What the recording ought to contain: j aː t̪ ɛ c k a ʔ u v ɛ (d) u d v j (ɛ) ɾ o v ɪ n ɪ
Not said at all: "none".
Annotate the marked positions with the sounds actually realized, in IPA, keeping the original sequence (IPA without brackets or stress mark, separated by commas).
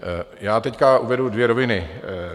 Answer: d, ɛ